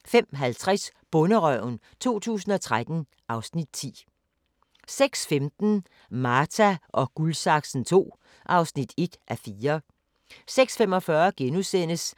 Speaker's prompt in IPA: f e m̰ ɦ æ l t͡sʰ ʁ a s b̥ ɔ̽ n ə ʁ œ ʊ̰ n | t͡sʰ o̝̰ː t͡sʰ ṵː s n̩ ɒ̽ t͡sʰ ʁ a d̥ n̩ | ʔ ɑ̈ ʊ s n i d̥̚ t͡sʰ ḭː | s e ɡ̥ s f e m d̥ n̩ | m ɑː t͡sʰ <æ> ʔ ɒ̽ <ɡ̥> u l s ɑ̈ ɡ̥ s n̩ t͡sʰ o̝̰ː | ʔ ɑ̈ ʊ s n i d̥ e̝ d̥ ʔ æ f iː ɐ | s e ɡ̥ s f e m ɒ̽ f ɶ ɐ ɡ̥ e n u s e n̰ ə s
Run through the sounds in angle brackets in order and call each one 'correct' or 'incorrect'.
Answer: correct, correct

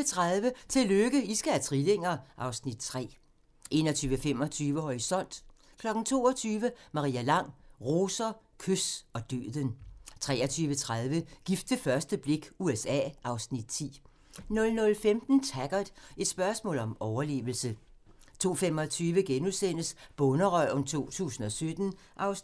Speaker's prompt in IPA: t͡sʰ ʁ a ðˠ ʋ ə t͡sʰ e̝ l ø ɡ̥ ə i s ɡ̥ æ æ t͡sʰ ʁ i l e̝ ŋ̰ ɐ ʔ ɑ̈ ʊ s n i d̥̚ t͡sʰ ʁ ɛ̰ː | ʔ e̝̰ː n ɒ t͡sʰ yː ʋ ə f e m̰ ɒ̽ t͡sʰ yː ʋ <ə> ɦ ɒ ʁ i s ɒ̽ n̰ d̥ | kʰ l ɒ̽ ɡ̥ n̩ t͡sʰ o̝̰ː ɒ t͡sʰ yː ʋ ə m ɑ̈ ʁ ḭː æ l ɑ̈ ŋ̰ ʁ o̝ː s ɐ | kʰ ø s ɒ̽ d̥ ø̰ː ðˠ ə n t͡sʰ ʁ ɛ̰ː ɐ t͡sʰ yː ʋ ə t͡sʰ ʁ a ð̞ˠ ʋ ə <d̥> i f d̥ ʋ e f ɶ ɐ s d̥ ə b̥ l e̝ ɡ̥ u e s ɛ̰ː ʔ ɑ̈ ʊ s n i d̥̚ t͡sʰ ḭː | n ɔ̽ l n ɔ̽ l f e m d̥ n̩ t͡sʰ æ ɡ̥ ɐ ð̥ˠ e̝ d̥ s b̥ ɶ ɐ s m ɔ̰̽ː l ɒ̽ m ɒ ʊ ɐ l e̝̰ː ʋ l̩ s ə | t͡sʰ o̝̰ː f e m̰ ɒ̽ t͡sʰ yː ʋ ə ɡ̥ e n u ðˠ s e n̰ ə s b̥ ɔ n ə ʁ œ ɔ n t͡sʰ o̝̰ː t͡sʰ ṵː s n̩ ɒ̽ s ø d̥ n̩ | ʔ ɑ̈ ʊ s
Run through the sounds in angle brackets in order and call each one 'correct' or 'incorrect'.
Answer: correct, incorrect: ɡ̥

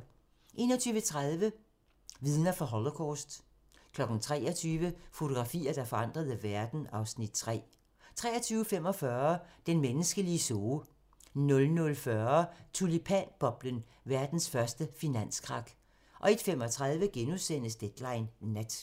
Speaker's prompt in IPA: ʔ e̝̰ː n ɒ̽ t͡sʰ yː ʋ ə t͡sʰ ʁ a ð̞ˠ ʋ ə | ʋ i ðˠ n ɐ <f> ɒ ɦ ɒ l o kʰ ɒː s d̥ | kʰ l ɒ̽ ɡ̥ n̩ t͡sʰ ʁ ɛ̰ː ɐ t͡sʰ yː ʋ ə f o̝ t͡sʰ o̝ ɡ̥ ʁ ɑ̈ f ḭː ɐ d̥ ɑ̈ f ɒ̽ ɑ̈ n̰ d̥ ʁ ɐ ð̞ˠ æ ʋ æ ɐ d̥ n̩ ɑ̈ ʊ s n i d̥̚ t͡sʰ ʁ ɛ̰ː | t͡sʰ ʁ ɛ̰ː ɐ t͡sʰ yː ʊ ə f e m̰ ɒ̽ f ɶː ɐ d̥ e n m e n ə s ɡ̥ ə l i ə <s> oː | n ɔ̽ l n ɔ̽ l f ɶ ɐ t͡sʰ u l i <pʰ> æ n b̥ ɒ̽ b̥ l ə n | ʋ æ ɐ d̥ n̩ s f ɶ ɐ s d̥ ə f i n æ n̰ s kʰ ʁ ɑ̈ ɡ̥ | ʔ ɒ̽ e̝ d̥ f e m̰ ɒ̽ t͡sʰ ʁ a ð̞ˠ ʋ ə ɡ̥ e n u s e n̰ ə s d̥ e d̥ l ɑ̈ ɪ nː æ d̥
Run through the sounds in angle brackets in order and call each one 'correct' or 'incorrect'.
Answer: correct, correct, correct

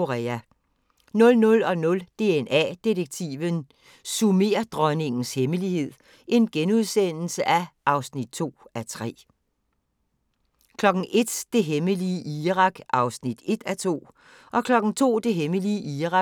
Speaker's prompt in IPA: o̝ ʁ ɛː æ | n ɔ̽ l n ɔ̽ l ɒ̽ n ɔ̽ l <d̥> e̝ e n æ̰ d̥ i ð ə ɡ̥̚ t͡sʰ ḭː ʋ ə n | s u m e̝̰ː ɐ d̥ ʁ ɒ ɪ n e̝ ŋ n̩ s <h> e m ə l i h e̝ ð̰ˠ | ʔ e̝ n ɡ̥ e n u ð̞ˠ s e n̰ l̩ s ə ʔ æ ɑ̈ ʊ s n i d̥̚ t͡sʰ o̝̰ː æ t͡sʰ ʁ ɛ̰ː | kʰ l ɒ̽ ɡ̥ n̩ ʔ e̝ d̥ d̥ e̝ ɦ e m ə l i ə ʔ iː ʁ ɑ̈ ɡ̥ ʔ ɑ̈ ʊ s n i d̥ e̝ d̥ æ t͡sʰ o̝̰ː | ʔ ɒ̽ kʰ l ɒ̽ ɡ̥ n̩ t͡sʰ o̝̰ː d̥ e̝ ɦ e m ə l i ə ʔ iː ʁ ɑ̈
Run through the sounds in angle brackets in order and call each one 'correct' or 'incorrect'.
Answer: correct, correct

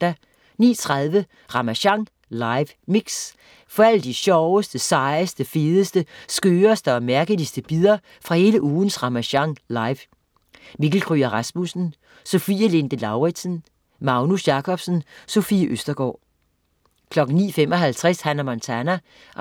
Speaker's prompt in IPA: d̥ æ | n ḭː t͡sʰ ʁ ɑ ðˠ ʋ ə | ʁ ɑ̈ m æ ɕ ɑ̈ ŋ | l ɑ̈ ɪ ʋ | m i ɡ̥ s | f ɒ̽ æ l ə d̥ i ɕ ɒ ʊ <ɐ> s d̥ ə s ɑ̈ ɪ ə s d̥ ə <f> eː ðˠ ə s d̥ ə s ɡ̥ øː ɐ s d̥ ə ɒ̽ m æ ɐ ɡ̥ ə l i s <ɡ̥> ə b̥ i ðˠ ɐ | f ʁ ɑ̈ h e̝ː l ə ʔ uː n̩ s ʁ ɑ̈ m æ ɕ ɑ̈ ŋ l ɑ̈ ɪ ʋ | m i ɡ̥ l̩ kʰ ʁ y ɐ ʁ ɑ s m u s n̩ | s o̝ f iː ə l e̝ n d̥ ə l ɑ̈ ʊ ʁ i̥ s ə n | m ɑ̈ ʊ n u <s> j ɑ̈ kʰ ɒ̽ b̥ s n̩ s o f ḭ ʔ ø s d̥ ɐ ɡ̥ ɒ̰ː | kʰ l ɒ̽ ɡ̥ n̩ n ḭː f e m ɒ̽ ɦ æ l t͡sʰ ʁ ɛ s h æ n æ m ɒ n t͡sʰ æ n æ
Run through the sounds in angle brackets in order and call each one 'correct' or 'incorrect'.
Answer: incorrect: ə, correct, incorrect: d̥, correct

